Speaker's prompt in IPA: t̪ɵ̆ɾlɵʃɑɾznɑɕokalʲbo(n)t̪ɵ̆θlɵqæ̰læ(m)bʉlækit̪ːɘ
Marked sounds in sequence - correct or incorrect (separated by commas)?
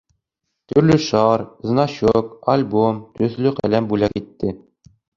incorrect, correct